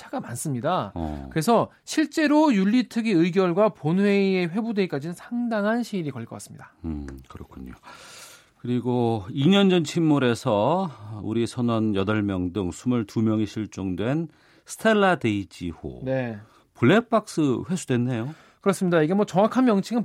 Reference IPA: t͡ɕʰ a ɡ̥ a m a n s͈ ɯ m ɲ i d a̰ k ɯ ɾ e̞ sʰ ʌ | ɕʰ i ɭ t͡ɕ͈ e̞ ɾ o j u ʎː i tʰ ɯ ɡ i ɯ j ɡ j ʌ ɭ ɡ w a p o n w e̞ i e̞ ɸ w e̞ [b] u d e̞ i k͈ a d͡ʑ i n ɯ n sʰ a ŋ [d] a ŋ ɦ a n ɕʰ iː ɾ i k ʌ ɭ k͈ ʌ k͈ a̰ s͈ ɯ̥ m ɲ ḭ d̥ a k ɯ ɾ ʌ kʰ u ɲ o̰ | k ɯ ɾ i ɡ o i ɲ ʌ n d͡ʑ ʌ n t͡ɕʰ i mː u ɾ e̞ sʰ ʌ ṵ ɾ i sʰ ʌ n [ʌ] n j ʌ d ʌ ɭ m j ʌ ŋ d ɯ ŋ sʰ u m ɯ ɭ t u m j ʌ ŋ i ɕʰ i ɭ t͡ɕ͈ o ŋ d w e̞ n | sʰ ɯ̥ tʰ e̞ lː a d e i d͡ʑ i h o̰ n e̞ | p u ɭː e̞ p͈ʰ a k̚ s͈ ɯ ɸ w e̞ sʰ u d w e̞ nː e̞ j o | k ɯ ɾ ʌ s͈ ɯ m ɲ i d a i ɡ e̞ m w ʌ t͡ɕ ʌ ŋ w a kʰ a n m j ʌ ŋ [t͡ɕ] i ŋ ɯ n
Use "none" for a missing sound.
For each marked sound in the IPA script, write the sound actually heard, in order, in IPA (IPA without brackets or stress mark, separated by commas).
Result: b, d, ʌ, t͡ɕʰ